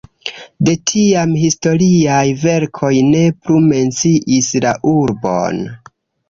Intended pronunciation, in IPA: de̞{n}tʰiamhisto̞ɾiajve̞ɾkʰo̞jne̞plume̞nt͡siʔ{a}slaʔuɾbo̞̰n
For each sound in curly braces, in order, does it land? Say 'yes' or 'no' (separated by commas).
no, no